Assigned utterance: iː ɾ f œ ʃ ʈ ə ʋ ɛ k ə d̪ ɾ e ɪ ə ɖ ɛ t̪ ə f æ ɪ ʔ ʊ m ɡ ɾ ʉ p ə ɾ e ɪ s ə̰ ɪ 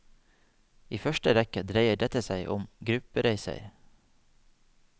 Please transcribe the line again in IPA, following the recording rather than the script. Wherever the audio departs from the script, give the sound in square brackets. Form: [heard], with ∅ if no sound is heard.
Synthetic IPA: iː [∅] f œ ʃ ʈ ə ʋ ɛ k ə d̪ ɾ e ɪ ə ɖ ɛ t̪ ə [s] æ ɪ ʔ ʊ m ɡ ɾ ʉ p ə ɾ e ɪ s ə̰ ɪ